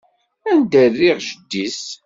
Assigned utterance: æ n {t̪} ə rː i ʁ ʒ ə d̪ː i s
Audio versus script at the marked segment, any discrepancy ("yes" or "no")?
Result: yes